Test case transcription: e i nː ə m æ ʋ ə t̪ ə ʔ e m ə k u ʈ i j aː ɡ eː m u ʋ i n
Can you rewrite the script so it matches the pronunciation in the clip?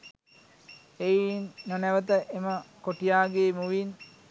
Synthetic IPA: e i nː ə n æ ʋ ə t̪ ə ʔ e m ə k o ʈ i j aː ɡ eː m u ʋ i n